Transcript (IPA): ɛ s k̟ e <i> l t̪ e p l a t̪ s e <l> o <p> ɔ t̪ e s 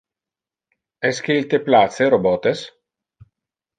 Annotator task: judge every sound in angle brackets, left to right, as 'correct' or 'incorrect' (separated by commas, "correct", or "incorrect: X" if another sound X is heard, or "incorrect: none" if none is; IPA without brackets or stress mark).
correct, incorrect: ɾ, incorrect: b